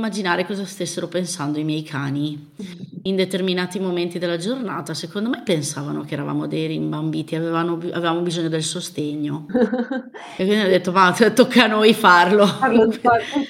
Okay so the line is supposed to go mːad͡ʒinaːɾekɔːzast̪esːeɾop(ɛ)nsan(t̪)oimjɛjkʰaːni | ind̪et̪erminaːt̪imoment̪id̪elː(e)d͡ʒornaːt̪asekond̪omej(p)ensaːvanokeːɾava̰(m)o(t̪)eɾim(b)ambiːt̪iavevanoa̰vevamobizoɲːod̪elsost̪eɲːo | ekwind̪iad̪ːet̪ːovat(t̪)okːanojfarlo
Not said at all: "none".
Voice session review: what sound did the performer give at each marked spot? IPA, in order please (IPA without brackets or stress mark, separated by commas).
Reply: e, d̪, a, p, m, d̪, b, t̪